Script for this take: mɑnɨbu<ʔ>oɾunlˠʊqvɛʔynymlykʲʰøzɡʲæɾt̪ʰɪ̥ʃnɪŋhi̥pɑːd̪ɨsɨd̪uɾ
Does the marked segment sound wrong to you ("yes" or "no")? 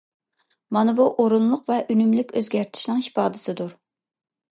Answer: no